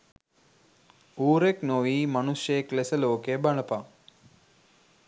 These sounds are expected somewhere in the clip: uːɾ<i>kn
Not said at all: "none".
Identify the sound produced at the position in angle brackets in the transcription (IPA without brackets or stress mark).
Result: e